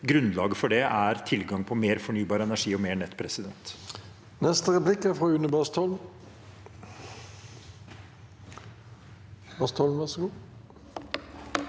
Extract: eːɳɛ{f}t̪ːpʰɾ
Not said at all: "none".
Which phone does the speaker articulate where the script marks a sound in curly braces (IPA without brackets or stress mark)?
none